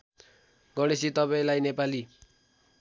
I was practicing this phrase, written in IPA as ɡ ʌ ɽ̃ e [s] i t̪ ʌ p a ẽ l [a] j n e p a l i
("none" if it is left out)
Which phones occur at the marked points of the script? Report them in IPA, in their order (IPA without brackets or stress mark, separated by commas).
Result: s, a